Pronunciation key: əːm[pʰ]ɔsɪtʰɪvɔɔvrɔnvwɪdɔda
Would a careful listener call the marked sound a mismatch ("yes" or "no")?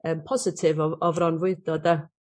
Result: no